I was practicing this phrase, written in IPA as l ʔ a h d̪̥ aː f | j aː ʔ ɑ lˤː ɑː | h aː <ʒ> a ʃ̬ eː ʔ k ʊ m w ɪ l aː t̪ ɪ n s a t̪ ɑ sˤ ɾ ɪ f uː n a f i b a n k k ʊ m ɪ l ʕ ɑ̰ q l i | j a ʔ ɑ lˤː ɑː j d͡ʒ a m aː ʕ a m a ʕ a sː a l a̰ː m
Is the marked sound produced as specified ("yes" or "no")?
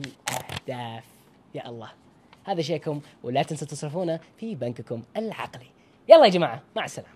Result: no